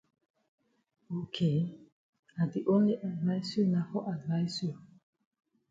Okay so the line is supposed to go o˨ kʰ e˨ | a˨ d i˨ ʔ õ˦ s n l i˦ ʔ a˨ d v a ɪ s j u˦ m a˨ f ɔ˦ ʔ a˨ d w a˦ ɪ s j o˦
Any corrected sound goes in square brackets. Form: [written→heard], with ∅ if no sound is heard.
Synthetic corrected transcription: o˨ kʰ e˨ | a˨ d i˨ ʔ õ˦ [s→∅] n l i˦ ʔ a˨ d v a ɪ s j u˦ [m→n] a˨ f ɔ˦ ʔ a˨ d [w→v] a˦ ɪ s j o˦